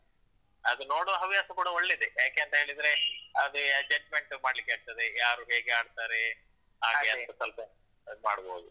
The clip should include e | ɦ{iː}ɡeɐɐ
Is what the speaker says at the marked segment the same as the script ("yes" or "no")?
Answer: no